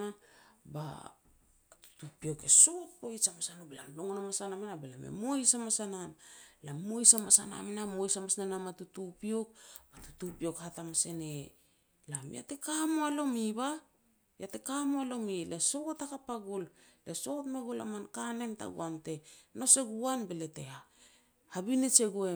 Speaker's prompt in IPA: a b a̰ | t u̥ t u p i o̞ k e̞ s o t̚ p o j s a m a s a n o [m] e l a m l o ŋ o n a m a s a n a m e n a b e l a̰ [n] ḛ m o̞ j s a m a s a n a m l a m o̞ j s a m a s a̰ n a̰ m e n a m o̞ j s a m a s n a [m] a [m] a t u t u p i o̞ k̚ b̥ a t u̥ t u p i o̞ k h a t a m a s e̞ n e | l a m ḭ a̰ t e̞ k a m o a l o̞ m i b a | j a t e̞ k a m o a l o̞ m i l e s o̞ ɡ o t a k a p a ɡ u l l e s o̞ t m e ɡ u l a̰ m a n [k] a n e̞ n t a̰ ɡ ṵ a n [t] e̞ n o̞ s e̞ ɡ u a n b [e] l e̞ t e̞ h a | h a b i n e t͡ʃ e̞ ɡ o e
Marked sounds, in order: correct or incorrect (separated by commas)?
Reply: incorrect, incorrect, incorrect, correct, correct, correct, correct